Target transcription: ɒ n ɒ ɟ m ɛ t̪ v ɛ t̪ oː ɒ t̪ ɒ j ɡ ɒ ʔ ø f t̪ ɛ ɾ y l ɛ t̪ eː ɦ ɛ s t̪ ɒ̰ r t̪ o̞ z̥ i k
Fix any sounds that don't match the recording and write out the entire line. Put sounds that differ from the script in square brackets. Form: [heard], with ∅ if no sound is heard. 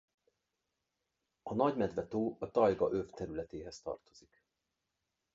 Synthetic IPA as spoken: ɒ n ɒ ɟ m ɛ [d̪] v ɛ t̪ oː ɒ t̪ ɒ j ɡ ɒ ʔ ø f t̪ ɛ ɾ y l ɛ t̪ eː ɦ ɛ s t̪ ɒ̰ r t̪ o̞ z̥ i k